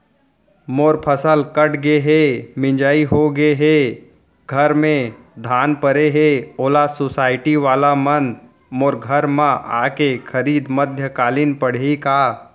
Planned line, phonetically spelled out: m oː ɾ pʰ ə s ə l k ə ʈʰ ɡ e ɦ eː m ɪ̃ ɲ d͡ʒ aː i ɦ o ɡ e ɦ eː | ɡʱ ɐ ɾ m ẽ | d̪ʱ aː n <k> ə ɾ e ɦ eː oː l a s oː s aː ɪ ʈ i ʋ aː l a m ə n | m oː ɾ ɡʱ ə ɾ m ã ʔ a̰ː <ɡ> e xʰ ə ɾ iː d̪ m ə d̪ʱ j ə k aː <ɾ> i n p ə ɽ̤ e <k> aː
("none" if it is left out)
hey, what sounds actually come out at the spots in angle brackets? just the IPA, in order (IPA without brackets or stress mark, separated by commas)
p, k, l, k